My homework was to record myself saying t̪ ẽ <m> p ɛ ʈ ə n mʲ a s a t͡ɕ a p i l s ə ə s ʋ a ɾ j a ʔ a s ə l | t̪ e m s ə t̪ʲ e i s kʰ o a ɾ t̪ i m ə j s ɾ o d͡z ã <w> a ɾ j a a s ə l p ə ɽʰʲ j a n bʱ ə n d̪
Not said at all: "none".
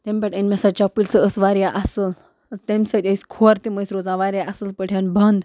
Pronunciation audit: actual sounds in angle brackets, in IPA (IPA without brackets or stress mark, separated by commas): m, ʋ